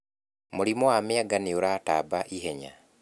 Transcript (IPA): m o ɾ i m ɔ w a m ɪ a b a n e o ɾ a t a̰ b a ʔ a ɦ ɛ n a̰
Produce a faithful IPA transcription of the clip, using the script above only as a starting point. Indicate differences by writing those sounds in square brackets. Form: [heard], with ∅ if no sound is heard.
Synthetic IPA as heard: m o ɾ i m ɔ w a m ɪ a [ɡ] a n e o ɾ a t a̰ b a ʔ [i] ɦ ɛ [ɲ] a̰